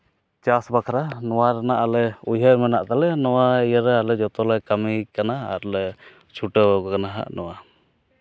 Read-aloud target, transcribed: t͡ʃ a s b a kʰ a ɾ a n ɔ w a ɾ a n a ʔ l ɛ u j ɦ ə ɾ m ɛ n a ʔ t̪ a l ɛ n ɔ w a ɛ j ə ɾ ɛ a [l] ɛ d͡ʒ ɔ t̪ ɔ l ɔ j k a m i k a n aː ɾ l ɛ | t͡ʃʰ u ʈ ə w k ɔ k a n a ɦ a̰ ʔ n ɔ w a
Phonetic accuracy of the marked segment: correct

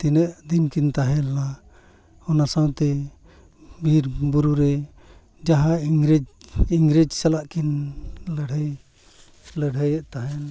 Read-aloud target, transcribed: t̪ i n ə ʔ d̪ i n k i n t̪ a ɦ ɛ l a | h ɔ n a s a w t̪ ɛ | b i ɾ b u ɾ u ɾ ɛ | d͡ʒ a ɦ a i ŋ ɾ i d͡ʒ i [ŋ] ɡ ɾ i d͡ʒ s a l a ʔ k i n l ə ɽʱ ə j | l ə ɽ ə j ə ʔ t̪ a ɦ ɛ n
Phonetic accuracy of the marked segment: correct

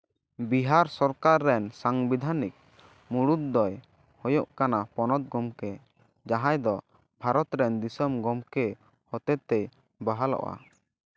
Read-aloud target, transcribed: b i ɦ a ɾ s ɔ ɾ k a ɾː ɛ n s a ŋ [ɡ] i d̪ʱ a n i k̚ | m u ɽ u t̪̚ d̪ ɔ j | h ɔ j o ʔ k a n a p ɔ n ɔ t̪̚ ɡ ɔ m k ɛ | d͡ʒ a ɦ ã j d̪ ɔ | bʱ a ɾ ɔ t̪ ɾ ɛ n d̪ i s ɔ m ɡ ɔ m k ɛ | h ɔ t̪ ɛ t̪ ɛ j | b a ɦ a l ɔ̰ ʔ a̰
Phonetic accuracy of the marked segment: incorrect: b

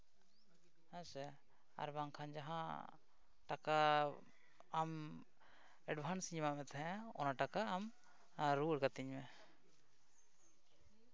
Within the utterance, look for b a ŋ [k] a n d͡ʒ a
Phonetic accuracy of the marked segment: incorrect: kʰ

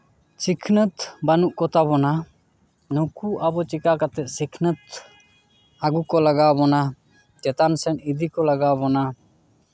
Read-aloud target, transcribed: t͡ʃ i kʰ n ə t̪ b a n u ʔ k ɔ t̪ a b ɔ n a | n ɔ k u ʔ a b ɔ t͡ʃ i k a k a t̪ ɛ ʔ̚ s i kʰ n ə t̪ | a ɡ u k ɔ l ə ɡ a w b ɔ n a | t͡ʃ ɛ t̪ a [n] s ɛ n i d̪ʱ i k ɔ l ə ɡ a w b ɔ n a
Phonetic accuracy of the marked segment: correct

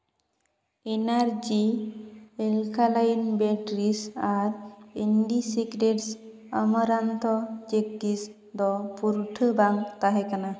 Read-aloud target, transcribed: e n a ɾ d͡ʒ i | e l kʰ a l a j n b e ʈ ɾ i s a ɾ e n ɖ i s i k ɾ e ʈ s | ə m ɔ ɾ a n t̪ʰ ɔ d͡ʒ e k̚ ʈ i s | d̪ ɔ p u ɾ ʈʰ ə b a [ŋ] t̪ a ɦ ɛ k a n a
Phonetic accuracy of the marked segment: correct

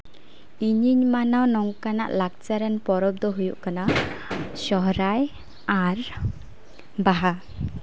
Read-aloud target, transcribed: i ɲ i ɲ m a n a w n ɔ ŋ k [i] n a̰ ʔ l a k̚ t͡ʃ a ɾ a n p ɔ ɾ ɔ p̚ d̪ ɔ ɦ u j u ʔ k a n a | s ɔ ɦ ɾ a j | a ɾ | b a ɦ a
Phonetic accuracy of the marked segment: incorrect: a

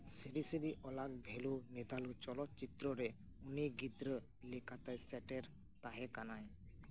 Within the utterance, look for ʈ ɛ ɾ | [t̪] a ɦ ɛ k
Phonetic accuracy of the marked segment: correct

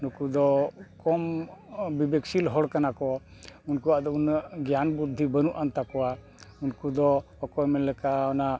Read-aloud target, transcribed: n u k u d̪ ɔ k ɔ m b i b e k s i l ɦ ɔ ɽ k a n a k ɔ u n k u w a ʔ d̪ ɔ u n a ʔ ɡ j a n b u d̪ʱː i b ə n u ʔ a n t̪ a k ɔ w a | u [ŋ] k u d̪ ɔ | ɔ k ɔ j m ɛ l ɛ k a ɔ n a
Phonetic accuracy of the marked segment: incorrect: n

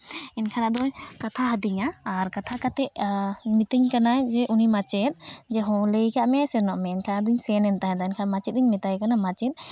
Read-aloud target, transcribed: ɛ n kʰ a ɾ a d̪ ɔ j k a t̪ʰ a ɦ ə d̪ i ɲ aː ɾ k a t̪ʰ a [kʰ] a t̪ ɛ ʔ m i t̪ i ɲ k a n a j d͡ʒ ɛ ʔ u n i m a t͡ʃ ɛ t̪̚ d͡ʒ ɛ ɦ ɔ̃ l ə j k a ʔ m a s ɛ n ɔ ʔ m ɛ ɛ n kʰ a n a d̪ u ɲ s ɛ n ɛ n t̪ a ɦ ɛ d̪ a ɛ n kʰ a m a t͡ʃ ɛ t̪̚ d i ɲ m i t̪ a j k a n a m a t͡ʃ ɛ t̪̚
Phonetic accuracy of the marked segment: incorrect: k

